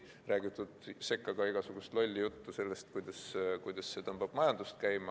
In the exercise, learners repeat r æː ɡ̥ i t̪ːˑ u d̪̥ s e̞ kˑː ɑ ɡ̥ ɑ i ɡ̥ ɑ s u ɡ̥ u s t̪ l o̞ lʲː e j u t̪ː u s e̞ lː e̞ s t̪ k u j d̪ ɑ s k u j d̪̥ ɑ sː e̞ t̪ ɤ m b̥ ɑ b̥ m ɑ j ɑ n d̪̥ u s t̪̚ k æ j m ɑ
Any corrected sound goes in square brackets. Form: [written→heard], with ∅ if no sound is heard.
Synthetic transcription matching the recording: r æː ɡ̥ i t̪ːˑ u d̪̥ s e̞ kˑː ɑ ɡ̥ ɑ i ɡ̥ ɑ s u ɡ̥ u s t̪ l o̞ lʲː [e→i] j u t̪ː u s e̞ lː e̞ s t̪ k u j d̪ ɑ s k u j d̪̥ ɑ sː e̞ t̪ ɤ m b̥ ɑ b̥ m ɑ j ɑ n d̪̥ u s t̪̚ k æ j m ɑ